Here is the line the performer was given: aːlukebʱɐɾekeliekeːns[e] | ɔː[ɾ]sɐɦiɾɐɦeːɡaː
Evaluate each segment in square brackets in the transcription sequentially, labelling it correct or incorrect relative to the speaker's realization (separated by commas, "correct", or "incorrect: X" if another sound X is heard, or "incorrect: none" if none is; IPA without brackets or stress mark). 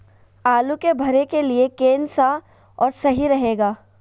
incorrect: a, correct